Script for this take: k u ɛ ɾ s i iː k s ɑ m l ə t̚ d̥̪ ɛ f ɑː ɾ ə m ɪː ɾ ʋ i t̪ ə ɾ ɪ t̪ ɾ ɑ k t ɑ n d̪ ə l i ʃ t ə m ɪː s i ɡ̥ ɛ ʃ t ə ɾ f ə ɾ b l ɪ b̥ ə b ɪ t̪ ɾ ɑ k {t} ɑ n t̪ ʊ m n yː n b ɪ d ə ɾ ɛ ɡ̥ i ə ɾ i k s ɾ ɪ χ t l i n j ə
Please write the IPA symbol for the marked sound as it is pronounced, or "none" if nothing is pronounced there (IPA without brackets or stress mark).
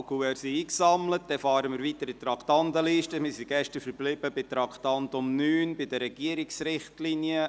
t